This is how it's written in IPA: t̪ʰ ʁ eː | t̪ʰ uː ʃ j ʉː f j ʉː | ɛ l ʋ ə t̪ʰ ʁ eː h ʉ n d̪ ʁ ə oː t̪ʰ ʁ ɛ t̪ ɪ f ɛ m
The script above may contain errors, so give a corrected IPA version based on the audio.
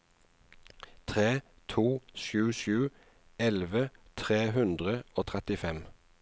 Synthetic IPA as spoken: t̪ʰ ʁ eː | t̪ʰ uː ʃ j ʉː ʃ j ʉː | ɛ l ʋ ə t̪ʰ ʁ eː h ʉ n d̪ ʁ ə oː t̪ʰ ʁ ɛ t̪ ɪ f ɛ m